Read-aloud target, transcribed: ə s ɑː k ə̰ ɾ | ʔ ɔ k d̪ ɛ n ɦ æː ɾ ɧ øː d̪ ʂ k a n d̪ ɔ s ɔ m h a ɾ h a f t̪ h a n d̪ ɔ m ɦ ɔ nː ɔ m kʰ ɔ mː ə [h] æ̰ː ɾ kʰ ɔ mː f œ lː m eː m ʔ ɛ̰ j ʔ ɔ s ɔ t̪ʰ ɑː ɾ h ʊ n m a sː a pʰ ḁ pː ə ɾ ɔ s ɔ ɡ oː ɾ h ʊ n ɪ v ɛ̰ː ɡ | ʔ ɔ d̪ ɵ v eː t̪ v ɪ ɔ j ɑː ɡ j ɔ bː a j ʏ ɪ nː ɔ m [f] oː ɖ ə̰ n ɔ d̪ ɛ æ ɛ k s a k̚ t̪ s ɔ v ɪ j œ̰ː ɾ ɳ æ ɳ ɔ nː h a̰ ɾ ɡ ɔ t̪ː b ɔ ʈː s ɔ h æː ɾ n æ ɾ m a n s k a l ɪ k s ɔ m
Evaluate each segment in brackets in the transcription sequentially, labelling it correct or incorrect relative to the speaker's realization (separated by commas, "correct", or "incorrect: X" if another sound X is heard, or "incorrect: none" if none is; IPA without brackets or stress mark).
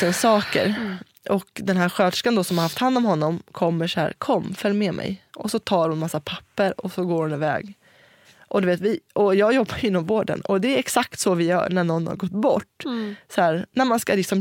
incorrect: ʂ, incorrect: v